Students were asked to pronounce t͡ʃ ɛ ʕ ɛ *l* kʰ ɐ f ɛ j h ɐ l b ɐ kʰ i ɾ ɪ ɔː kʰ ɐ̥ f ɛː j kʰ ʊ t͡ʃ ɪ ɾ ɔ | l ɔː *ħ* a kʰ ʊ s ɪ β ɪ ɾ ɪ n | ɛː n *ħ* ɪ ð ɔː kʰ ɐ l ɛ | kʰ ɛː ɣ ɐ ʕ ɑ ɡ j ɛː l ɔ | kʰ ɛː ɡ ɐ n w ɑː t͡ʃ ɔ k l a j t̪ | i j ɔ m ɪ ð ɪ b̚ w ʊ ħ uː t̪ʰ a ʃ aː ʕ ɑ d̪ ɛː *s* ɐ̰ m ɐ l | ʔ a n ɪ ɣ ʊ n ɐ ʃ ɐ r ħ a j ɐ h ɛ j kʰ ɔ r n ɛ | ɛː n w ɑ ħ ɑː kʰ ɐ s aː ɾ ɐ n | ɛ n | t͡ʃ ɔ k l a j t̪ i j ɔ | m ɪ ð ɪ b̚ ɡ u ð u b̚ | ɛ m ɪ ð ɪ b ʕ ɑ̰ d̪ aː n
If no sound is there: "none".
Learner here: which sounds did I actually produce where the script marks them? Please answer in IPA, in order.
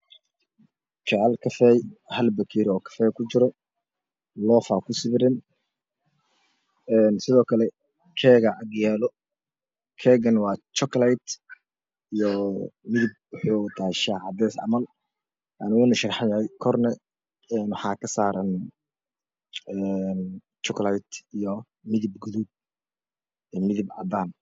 l, f, s, s

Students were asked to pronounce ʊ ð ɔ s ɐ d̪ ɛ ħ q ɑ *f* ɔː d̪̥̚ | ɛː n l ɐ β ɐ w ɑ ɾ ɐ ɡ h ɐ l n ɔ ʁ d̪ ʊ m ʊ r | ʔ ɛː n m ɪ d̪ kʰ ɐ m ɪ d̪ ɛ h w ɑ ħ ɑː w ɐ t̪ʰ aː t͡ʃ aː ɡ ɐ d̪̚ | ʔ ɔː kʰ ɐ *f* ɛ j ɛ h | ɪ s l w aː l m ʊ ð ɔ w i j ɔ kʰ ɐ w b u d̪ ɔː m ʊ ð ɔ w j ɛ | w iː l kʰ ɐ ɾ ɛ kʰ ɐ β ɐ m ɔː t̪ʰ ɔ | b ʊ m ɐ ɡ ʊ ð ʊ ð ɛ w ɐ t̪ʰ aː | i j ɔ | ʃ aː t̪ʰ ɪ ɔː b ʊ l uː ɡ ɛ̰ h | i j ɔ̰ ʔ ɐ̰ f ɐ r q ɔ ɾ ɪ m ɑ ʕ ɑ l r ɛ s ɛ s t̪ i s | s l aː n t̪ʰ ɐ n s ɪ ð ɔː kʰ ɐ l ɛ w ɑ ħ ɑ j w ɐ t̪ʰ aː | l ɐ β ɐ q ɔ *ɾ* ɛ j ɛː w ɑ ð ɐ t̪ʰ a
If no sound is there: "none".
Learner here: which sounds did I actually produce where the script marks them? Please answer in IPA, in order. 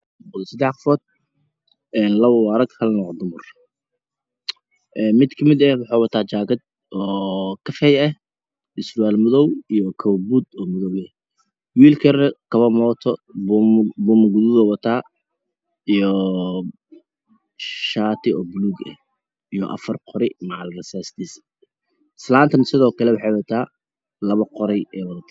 f, f, ɾ

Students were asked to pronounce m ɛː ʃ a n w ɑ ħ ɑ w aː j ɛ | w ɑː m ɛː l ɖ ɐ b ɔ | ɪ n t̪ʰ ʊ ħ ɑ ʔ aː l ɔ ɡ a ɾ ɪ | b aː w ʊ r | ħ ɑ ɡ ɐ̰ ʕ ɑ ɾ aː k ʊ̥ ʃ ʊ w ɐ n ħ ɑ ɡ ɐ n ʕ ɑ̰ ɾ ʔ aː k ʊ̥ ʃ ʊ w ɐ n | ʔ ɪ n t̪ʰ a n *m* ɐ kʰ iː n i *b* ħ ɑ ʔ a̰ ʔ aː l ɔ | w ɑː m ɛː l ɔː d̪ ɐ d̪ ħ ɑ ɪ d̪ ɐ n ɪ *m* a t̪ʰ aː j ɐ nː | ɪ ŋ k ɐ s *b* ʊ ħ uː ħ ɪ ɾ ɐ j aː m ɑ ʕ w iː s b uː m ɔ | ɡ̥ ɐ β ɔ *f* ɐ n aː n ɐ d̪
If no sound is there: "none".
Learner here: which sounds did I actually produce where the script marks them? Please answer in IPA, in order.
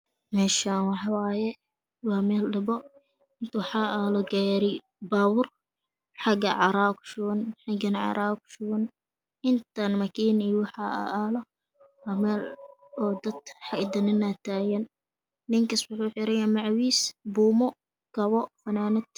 m, w, n, w, f

